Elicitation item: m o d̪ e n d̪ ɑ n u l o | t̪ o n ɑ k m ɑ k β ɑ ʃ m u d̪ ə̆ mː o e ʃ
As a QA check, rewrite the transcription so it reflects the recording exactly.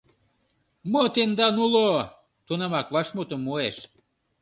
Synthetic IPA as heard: m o t̪ e n d̪ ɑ n u l o | t̪ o n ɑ m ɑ k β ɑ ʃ m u t̪ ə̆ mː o e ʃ